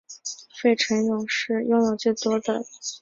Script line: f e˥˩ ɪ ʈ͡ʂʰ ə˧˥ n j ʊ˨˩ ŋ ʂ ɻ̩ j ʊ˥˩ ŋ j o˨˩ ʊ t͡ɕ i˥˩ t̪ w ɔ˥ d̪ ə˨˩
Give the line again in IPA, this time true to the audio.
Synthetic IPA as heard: f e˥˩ ɪ ʈ͡ʂʰ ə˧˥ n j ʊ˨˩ ŋ ʂ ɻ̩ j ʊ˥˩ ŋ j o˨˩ ʊ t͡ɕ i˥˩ t̪ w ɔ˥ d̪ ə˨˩